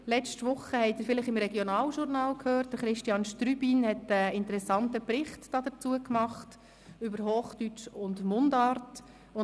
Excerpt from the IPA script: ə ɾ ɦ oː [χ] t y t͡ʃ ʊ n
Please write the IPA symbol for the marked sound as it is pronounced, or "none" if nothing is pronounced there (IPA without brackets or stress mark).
χ